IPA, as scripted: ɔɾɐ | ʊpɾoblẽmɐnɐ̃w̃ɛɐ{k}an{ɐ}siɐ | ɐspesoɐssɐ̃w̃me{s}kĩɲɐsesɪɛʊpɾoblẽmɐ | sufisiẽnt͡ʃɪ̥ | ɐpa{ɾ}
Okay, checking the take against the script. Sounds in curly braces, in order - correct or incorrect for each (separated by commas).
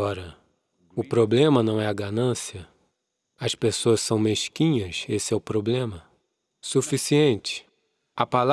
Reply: incorrect, incorrect, incorrect, incorrect